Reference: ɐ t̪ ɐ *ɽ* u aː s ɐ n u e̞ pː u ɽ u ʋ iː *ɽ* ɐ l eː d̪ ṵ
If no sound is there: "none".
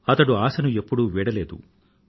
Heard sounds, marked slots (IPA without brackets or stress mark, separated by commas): ɽ, ɽ